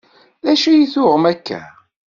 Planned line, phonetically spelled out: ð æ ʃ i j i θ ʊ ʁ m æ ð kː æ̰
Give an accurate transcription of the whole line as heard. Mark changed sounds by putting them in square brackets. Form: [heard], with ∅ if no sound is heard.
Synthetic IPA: ð æ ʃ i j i θ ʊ ʁ m æ [∅] kː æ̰